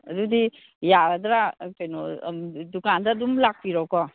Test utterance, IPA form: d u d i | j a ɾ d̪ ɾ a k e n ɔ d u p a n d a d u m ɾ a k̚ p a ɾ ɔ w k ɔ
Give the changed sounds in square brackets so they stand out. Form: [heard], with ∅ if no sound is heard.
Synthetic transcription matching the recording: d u d i | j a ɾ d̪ ɾ a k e n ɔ d u [k] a n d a d u m [l] a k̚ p [i] ɾ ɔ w k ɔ